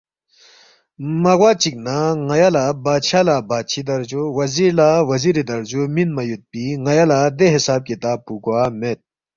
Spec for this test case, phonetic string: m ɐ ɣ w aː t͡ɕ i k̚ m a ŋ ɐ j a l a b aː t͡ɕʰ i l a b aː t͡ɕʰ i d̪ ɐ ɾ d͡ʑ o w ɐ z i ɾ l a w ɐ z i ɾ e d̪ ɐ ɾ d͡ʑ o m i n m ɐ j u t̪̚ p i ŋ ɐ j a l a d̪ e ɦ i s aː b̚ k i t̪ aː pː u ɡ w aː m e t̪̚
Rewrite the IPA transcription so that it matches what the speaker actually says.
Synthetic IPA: m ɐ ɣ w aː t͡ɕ i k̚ n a ŋ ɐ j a l a b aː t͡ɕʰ a l a b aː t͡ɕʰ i d̪ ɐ ɾ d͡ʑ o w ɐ z i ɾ l a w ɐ z i ɾ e d̪ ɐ ɾ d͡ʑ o m i n m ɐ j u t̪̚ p i ŋ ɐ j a l a d̪ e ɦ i s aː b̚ k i t̪ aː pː u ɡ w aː m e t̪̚